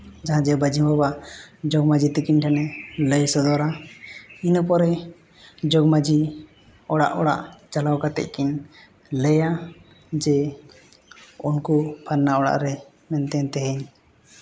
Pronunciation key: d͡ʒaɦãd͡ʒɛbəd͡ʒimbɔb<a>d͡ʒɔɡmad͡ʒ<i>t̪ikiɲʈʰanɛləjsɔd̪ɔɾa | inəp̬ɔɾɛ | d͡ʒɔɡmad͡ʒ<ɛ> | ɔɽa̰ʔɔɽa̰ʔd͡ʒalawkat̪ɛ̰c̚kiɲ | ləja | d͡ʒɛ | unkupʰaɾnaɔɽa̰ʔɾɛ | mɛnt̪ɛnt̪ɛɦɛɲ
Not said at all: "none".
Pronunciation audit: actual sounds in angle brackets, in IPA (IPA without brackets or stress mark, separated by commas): a, i, i